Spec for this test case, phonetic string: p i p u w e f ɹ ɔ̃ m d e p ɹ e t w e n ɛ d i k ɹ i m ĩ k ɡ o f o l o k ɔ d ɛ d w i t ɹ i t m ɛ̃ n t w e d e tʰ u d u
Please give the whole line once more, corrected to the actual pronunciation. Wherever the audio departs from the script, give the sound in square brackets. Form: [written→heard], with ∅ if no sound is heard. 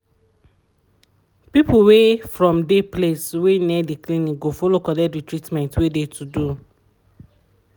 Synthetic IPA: p i p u w e f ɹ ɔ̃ m d e p [ɹ→l] e [t→s] w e n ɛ d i k [ɹ→l] i [m→n] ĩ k ɡ o f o l o k ɔ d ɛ d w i t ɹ i t m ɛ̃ n t w e d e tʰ u d u